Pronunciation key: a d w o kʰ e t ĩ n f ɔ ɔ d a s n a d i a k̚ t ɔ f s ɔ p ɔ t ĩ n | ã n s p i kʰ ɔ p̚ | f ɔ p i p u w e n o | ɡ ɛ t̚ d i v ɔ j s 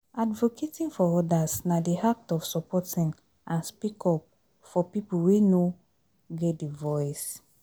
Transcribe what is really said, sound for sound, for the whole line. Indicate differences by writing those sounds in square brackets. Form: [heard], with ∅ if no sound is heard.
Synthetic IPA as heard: a d [v] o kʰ e t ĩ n f ɔ ɔ d a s n a d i a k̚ t ɔ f s ɔ p ɔ t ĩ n | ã n s p i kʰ ɔ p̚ | f ɔ p i p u w e n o | ɡ ɛ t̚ d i v ɔ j s